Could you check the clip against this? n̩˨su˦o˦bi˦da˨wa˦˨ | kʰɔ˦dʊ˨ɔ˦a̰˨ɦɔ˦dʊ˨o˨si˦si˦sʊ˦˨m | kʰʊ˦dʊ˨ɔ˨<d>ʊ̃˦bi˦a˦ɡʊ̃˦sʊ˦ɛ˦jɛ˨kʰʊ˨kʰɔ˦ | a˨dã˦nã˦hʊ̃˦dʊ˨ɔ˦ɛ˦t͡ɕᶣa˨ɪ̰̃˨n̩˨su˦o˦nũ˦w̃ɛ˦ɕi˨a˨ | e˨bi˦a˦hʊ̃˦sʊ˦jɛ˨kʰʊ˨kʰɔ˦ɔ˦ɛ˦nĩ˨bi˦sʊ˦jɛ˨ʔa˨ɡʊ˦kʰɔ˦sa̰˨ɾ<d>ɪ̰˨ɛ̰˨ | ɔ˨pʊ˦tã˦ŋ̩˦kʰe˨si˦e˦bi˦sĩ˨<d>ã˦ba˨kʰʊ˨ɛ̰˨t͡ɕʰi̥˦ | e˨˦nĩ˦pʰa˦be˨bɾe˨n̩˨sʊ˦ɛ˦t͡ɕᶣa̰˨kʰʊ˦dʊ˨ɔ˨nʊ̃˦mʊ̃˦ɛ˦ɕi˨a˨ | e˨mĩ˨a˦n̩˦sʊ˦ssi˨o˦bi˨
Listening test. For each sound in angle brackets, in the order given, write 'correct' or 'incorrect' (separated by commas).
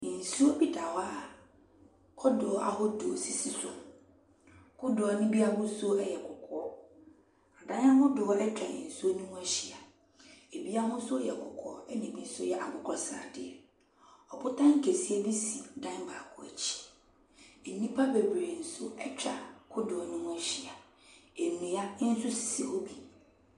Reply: incorrect, correct, correct